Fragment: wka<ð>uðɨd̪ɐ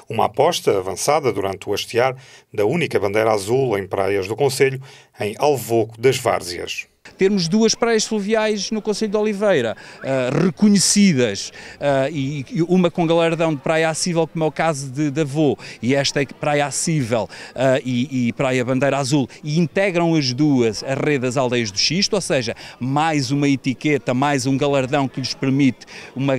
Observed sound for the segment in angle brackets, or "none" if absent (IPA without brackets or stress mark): z